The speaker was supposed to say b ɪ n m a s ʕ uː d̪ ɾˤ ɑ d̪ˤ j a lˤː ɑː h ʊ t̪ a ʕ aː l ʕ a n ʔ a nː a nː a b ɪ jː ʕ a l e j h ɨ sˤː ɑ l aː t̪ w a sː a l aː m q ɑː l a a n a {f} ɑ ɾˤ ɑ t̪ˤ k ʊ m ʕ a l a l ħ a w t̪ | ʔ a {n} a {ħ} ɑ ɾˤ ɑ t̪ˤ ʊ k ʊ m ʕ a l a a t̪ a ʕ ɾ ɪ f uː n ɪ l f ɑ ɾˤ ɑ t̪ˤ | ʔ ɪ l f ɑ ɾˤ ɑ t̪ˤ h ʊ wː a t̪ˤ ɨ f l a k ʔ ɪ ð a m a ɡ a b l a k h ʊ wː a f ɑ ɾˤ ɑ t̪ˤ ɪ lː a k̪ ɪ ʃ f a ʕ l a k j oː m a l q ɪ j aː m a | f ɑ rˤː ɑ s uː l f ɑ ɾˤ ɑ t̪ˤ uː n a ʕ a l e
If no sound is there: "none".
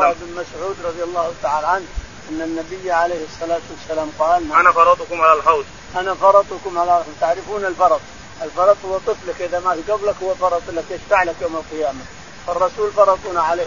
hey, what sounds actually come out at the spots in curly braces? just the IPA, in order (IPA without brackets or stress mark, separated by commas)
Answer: f, n, f